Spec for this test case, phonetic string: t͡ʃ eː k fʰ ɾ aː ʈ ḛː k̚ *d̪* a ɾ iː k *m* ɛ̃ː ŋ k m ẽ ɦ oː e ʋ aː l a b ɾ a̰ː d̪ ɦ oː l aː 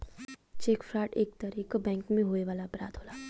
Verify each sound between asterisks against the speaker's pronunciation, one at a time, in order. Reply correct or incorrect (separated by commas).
incorrect, incorrect